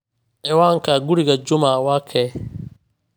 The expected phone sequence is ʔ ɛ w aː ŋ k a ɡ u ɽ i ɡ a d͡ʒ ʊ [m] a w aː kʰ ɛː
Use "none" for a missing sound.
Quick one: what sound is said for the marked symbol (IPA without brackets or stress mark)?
m